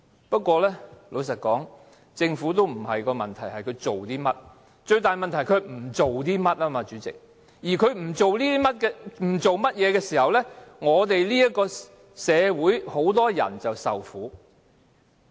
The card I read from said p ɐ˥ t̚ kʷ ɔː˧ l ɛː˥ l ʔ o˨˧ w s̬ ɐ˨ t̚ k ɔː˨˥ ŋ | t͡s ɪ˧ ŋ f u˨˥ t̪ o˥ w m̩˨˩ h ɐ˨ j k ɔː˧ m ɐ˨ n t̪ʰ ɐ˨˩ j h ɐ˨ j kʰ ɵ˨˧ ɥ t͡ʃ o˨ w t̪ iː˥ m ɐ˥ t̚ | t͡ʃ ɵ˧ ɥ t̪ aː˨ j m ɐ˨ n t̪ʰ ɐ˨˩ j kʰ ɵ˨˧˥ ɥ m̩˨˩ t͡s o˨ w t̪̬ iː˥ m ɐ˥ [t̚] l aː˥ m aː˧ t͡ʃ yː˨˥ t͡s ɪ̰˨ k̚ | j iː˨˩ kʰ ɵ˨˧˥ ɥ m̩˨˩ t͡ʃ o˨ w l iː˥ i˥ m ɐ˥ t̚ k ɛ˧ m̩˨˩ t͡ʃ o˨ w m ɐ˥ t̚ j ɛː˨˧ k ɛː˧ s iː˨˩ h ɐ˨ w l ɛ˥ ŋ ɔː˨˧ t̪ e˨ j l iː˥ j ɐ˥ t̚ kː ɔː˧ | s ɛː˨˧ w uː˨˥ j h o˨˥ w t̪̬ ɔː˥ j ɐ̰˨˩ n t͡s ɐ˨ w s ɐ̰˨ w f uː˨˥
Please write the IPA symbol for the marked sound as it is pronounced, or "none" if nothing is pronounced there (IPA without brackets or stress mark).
t̚